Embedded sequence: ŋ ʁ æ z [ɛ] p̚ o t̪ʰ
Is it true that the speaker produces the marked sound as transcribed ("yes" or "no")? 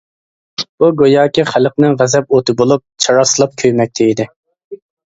yes